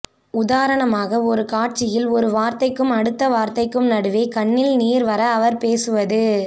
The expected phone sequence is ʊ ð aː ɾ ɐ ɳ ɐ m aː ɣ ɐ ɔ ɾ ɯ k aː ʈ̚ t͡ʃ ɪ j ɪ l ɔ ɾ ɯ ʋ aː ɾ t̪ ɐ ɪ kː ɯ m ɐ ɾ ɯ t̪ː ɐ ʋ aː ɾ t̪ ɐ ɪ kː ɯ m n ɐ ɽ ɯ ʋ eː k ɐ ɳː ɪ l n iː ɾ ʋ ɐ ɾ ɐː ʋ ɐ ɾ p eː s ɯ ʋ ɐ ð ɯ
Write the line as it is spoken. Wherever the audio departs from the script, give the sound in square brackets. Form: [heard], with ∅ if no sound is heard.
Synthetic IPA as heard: ʊ ð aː ɾ ɐ ɳ ɐ m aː ɣ ɐ ɔ ɾ ɯ k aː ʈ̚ t͡ʃ ɪ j ɪ l ɔ ɾ ɯ ʋ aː ɾ t̪ ɐ ɪ kː ɯ m ɐ [ɽ] ɯ t̪ː ɐ ʋ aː ɾ t̪ ɐ ɪ kː ɯ m n ɐ ɽ ɯ ʋ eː k ɐ ɳː ɪ l n iː ɾ ʋ ɐ ɾ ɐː ʋ ɐ ɾ p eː s ɯ ʋ ɐ ð ɯ